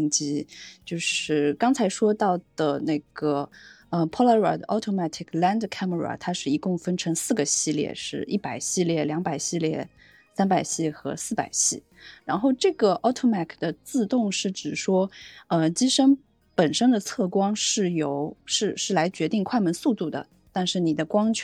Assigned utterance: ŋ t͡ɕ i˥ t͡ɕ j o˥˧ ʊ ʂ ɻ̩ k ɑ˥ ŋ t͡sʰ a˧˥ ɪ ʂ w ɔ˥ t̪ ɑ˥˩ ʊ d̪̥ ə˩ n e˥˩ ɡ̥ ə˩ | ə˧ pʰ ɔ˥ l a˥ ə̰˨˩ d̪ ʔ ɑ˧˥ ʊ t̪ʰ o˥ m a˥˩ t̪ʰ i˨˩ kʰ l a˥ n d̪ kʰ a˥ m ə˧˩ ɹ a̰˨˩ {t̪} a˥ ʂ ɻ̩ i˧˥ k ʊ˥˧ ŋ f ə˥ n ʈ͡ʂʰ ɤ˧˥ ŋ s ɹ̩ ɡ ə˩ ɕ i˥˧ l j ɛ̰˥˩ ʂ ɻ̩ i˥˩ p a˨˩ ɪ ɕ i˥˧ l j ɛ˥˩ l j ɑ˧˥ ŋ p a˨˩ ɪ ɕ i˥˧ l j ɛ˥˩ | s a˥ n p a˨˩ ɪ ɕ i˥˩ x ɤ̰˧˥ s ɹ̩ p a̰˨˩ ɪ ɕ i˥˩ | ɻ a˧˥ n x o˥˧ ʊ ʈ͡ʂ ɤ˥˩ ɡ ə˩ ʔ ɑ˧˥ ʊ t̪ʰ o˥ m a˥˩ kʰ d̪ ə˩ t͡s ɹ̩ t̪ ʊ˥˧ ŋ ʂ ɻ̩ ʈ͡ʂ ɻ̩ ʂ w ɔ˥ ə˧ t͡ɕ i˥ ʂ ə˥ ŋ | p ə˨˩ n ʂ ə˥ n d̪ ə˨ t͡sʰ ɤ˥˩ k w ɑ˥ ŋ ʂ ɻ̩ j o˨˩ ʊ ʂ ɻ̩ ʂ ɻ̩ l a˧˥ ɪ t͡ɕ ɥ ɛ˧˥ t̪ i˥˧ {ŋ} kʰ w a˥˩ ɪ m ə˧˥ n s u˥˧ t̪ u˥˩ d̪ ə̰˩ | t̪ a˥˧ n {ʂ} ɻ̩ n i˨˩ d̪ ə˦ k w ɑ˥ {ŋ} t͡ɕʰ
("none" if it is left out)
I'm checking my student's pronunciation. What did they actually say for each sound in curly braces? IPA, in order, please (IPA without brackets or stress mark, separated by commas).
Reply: t̪ʰ, ŋ, ʂ, ŋ